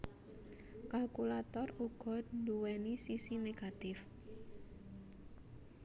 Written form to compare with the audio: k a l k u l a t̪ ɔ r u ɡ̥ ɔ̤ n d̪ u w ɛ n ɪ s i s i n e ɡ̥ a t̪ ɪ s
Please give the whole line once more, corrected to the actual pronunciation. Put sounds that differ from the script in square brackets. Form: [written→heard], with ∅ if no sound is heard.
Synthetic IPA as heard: k a l k u l a t̪ ɔ r u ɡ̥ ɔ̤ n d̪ u w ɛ n [ɪ→i] s i s i n e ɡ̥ a t̪ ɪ [s→f]